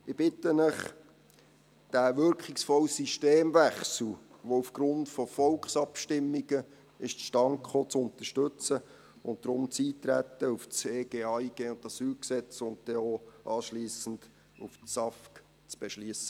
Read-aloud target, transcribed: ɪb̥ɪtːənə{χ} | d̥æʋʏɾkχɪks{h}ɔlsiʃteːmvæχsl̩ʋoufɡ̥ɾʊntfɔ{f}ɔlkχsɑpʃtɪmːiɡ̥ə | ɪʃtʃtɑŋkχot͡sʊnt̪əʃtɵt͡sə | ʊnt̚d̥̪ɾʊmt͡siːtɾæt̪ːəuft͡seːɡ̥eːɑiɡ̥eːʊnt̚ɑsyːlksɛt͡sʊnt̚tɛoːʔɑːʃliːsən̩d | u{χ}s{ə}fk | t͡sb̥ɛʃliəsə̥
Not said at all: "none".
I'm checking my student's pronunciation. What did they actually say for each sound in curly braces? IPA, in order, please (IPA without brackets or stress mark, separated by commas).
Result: χ, f, f, f, ɑ